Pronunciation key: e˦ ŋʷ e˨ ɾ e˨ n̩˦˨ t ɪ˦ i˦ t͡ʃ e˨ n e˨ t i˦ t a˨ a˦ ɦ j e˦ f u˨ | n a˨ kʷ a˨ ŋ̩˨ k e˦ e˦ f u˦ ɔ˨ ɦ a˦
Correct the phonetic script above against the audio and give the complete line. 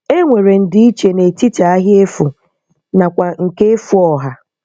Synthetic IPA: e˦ ŋʷ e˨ ɾ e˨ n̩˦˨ d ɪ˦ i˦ t͡ʃ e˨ n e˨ t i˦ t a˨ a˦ ɦ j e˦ f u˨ | n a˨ kʷ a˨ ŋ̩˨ k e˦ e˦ f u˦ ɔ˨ ɦ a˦

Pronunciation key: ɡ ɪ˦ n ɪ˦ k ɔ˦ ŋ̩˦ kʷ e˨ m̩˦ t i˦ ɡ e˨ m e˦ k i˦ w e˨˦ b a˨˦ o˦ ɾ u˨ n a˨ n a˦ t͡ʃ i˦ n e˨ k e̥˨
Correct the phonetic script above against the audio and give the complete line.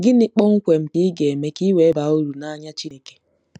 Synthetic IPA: ɡ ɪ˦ n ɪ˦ k͡p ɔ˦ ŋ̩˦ kʷ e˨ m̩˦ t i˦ ɡ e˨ m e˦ k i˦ w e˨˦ b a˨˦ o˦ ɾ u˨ n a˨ ɲ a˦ t͡ʃ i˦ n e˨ k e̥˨

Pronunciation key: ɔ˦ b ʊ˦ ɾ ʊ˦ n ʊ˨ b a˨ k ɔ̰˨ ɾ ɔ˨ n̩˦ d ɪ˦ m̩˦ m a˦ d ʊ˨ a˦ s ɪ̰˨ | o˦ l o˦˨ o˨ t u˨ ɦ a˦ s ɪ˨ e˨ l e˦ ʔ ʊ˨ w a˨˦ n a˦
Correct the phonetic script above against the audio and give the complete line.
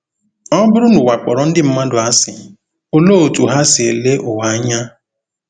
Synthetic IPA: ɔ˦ b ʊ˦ ɾ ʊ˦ n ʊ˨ w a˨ k͡p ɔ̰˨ ɾ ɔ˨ n̩˦ d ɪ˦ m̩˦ m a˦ d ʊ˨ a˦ s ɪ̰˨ | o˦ l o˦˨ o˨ t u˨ ɦ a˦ s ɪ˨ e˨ l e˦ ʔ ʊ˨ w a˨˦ ɲ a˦

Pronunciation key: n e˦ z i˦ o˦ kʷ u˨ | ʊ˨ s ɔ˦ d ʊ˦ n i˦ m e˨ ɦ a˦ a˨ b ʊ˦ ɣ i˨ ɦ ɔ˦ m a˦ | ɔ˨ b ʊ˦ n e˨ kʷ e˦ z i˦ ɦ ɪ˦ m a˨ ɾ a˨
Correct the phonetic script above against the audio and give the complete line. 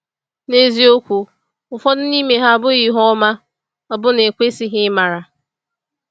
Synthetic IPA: n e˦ z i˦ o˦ kʷ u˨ | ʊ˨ f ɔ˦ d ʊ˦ n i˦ m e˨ ɦ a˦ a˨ b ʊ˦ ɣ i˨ ɦ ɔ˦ m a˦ | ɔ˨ b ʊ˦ n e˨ kʷ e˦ s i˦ ɦ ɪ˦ m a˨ ɾ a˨

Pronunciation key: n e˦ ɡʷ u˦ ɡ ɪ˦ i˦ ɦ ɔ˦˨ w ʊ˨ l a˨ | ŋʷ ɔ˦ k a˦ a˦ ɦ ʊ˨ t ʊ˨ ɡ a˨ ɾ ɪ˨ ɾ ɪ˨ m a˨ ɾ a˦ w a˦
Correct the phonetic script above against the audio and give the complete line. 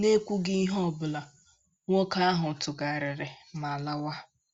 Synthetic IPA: n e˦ kʷ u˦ ɡ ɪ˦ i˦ ɦ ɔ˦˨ b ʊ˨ l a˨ | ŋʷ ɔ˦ k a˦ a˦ ɦ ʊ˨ t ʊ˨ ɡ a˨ ɾ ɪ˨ ɾ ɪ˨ m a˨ l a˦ w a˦

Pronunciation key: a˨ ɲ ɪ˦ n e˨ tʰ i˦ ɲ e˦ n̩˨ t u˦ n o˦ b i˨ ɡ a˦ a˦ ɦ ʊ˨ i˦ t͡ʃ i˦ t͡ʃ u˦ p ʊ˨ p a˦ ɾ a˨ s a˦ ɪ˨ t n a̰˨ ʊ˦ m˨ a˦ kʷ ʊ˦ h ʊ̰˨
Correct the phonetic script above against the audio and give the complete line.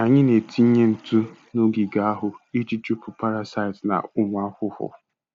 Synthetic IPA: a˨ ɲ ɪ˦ n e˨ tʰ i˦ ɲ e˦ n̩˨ t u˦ n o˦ ɡ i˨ ɡ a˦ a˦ ɦ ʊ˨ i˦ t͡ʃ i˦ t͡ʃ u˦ p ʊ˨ p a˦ ɾ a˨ s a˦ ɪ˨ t n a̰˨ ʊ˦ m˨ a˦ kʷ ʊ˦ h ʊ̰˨

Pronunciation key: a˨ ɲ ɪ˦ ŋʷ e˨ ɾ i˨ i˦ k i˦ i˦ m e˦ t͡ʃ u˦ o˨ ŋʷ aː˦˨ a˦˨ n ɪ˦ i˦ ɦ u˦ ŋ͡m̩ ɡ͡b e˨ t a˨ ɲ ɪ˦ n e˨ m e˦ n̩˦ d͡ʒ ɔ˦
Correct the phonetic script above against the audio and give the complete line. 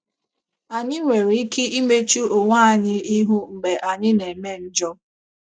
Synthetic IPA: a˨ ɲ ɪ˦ ŋʷ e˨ ɾ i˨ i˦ k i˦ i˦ m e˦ t͡ʃ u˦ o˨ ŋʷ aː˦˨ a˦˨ ɲ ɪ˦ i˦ ɦ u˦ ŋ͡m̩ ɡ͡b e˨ ʔ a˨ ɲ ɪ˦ n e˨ m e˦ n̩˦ d͡ʒ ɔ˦

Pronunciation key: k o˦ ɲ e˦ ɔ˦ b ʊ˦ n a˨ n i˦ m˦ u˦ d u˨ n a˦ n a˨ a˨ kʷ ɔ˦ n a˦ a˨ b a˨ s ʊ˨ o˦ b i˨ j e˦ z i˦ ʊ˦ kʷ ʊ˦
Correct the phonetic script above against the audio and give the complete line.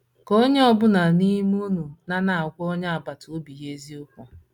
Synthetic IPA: k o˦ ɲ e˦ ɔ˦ b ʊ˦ n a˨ n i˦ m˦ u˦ n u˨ n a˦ n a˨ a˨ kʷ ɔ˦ ɲ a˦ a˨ b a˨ t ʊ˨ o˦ b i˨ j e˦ z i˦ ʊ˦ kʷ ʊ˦

